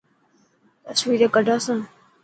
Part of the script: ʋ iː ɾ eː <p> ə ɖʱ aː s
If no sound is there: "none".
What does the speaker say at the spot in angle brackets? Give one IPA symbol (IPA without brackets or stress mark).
k